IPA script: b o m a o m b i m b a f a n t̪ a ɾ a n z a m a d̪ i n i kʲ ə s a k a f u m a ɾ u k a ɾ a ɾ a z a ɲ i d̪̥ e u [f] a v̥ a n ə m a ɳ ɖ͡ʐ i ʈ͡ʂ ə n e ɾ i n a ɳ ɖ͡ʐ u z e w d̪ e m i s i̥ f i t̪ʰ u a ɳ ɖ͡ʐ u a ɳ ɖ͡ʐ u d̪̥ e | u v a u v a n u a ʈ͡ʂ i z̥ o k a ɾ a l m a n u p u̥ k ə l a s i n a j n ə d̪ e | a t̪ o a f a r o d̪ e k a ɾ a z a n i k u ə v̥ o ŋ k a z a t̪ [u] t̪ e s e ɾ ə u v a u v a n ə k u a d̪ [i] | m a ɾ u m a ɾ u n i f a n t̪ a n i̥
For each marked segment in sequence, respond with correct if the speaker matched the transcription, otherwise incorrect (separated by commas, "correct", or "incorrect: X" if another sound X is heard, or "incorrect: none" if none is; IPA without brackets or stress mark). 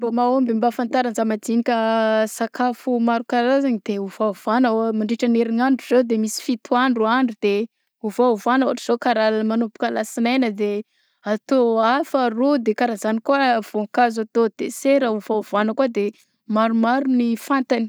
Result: incorrect: v, incorrect: o, incorrect: e